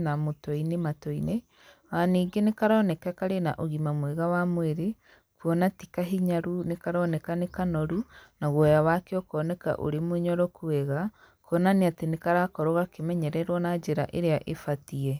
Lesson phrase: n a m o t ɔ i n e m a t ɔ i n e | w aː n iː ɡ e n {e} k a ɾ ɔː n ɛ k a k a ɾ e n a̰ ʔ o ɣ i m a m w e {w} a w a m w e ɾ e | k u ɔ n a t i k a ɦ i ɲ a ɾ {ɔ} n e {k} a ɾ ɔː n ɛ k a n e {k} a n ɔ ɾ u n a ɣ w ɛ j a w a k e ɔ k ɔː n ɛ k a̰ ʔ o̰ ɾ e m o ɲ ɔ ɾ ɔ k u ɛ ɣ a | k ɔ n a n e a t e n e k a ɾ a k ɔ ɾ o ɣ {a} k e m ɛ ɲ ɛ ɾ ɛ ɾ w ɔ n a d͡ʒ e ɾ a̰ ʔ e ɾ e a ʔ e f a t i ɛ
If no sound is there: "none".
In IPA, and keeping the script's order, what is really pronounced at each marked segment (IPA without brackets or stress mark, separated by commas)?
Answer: e, ɣ, u, k, k, a